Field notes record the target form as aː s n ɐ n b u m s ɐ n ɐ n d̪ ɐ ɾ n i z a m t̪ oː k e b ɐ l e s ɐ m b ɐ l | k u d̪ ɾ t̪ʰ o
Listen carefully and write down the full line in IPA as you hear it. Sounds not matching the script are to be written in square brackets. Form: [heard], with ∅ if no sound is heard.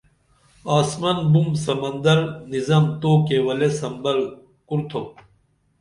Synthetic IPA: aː s [m] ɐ n b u m s ɐ [m] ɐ n d̪ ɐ ɾ n i z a m t̪ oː k e [w] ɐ l e s ɐ m b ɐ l | k u [∅] ɾ t̪ʰ o

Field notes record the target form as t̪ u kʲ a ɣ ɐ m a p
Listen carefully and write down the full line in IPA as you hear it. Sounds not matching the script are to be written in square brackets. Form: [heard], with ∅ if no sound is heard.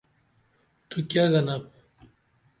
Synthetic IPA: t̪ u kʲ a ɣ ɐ [n] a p

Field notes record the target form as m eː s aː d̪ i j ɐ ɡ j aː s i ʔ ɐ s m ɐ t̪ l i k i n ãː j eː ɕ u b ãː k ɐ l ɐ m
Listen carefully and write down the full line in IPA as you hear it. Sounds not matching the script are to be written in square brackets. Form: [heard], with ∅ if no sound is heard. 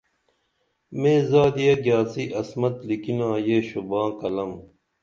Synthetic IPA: m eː [z] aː d̪ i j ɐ ɡ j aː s i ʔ ɐ s m ɐ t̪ l i k i n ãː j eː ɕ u b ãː k ɐ l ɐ m

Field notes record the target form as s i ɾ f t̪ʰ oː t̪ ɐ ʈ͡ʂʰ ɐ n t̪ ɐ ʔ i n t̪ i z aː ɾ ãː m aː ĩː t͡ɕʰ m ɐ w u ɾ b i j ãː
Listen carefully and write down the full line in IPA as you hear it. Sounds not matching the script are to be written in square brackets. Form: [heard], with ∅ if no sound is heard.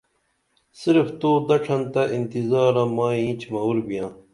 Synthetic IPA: s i ɾ f [t̪] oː [d̪] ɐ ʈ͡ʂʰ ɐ n t̪ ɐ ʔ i n t̪ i z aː ɾ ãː m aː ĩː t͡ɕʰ m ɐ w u ɾ b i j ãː

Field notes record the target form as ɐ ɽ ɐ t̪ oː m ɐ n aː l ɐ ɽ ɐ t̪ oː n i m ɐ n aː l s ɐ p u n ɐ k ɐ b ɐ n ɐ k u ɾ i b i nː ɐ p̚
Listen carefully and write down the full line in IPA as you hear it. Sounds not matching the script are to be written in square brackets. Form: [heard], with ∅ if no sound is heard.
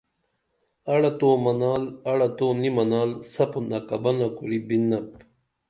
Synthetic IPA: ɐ ɽ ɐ t̪ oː m ɐ n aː l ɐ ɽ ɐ t̪ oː n i m ɐ n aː l s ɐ p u n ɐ k ɐ b ɐ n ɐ k u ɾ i b i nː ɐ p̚

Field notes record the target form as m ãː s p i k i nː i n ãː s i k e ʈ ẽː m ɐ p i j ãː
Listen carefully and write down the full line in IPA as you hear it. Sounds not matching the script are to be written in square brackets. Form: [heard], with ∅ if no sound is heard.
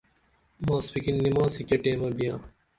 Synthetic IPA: m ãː s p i k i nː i [m] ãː s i k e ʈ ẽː m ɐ [b] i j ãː

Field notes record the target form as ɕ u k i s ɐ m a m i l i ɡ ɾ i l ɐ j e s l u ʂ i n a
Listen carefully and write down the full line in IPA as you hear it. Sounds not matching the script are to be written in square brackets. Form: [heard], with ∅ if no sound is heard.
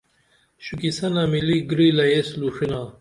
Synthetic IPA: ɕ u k i s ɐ [n] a m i l i ɡ ɾ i l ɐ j e s l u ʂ i n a

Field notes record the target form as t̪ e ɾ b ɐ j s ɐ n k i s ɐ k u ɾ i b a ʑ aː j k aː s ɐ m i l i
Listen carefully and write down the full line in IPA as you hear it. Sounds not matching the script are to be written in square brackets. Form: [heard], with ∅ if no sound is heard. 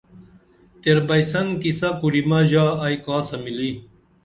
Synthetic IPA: t̪ e ɾ b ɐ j s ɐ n k i s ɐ k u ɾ i [m] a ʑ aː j k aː s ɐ m i l i

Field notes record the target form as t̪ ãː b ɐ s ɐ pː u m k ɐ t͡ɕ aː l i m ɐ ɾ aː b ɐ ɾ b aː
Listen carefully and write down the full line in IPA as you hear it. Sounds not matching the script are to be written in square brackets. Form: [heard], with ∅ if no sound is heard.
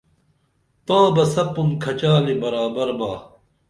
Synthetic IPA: t̪ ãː b ɐ s ɐ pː u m [kʰ] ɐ t͡ɕ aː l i [b] ɐ ɾ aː b ɐ ɾ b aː

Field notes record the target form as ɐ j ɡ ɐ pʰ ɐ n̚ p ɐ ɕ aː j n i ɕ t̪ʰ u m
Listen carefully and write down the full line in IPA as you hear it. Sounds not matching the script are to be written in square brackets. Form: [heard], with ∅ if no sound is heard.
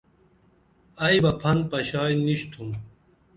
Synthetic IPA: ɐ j [b] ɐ pʰ ɐ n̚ p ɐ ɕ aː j n i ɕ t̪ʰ u m

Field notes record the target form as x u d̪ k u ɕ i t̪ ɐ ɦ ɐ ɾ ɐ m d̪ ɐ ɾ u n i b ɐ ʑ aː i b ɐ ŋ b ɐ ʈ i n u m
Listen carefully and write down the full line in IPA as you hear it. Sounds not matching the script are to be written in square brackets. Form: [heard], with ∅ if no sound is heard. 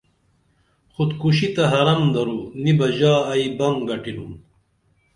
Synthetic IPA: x u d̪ k u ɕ i t̪ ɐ ɦ ɐ ɾ ɐ m d̪ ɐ ɾ u n i b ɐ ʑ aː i b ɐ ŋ [ɡ] ɐ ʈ i n u m

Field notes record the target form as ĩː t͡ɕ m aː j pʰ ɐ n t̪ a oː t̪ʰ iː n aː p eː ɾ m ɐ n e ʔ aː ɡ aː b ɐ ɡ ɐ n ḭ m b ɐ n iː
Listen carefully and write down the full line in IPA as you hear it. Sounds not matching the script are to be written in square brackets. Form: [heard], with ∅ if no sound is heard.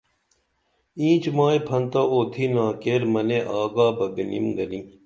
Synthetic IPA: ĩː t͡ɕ m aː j pʰ ɐ n t̪ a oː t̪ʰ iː n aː [k] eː ɾ m ɐ n e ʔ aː ɡ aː b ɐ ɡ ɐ n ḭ m [ɡ] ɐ n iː

